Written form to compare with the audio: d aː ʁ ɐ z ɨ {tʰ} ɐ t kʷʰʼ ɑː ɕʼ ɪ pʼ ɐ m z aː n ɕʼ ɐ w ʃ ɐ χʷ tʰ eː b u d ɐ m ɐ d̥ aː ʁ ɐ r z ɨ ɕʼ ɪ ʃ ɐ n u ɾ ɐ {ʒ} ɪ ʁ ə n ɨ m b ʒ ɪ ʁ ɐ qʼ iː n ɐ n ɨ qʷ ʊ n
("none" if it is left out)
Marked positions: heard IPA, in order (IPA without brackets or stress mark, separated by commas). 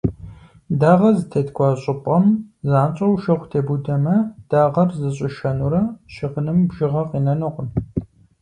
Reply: tʰ, ʃ